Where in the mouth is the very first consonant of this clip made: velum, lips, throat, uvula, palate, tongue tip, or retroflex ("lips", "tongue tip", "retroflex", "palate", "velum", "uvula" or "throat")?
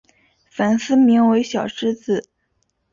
lips